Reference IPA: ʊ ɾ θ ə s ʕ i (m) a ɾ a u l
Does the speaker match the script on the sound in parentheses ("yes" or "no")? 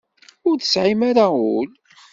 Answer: yes